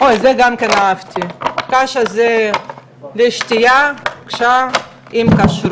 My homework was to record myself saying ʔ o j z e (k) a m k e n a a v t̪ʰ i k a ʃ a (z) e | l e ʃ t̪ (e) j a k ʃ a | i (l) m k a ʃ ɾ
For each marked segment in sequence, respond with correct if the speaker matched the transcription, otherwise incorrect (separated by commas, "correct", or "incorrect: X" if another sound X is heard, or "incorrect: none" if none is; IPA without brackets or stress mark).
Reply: incorrect: ɡ, correct, incorrect: i, incorrect: none